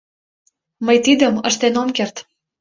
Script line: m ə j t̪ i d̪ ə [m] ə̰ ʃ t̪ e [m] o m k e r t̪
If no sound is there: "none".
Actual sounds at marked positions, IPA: m, n

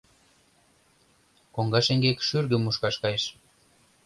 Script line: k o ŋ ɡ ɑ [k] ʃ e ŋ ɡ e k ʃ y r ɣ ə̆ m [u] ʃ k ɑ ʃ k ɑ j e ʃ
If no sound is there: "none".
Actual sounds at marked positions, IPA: none, u

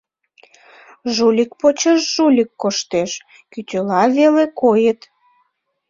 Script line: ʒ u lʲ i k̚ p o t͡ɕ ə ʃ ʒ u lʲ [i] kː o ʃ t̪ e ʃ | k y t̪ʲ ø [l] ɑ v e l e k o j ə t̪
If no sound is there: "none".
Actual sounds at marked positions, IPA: i, l

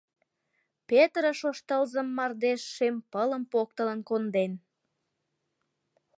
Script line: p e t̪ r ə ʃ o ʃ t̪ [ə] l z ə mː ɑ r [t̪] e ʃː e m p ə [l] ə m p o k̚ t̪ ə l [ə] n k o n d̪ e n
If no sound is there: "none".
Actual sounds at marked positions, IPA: ə, d̪, l, ə

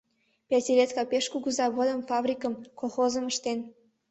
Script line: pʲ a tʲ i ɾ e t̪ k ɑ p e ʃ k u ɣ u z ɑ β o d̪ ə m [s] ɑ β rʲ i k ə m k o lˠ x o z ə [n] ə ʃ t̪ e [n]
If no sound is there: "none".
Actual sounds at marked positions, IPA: f, m, n

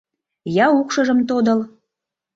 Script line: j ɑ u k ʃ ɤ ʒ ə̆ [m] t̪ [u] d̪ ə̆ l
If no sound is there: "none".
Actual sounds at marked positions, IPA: m, o

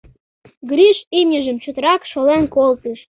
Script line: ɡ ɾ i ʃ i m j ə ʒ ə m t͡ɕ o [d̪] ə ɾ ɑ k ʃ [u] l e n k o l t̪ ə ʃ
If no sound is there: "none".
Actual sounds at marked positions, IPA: t̪, o

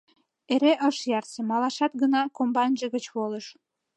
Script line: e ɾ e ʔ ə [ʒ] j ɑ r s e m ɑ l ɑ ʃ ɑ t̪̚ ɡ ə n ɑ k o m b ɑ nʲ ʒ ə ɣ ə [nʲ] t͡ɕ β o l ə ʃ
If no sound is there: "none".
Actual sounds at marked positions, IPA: ʃ, none

